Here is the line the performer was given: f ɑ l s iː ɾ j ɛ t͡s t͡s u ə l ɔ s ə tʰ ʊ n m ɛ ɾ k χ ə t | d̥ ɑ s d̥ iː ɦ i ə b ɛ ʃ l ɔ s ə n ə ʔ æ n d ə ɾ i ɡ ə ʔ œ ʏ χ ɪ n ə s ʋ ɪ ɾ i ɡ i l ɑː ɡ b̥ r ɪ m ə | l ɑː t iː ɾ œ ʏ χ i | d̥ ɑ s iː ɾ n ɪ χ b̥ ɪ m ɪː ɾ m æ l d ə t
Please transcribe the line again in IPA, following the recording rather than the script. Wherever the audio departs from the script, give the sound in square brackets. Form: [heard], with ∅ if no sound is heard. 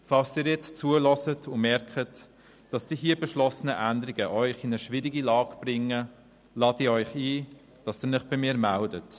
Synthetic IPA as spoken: f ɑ l s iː ɾ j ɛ t͡s t͡s u ə l ɔ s ə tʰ ʊ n m ɛ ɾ k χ ə t | d̥ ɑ s d̥ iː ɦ i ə b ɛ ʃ l ɔ s ə n ə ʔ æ n d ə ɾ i ɡ ə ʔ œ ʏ χ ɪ n ə [ʃ] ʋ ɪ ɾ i ɡ i l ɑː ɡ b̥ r ɪ [ŋ] ə | l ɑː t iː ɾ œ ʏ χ [iː] | d̥ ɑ s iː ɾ n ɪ χ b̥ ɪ m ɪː ɾ m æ l d ə t